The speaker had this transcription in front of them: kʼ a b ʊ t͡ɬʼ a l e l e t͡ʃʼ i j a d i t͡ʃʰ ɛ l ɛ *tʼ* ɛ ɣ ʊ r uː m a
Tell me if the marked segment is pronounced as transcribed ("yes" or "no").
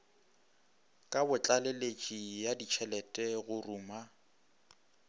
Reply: yes